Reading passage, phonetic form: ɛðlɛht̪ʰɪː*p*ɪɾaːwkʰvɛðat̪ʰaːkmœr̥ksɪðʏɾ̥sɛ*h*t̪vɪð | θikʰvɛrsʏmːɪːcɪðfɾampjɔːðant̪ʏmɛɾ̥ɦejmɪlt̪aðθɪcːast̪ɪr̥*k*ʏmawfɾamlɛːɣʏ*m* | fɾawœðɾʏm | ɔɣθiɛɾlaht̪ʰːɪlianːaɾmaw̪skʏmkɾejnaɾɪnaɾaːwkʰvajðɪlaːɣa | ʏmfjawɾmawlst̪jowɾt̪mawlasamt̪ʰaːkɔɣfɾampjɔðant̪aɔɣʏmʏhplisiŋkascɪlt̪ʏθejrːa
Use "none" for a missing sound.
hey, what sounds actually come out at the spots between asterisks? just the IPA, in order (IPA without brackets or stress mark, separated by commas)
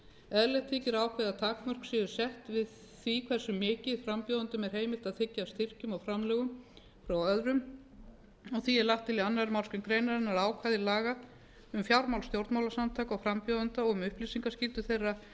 c, h, c, m